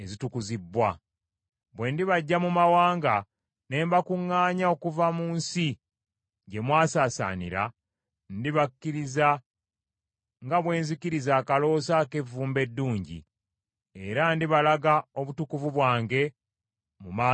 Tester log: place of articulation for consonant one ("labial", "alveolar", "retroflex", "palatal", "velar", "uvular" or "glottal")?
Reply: alveolar